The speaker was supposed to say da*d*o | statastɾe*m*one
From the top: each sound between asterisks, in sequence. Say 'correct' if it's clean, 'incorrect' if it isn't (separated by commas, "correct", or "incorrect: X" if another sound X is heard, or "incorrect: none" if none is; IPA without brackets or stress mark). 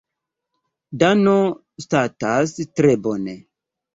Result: incorrect: n, incorrect: b